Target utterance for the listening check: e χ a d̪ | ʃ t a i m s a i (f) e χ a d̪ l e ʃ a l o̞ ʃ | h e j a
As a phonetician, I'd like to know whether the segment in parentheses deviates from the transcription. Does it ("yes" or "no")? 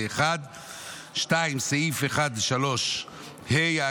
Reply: no